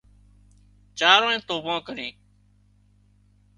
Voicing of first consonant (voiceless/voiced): voiceless